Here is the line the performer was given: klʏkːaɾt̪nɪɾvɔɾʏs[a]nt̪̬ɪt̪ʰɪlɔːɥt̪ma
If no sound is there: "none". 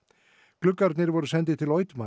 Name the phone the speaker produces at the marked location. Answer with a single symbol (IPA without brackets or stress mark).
ɛ